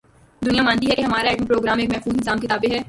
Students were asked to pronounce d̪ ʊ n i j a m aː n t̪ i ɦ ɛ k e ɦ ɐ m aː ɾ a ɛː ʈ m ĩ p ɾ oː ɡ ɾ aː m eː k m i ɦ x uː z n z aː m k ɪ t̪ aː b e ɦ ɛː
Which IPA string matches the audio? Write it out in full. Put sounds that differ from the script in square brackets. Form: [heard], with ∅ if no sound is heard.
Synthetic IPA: d̪ ʊ n i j a m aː n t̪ i ɦ ɛ k e ɦ ɐ m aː ɾ a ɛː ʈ m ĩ p ɾ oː ɡ ɾ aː m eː k m [ɛ] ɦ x uː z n z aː m k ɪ t̪ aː b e ɦ ɛː